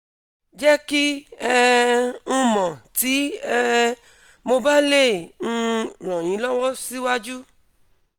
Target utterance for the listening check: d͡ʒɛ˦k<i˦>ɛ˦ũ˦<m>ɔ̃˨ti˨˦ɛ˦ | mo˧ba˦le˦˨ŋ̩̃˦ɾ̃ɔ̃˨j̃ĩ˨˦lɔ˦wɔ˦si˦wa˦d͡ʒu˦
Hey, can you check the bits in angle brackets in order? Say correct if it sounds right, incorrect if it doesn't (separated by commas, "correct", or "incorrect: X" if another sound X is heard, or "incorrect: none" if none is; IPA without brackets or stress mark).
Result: correct, correct